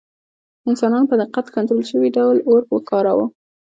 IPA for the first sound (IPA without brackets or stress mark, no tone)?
ɪ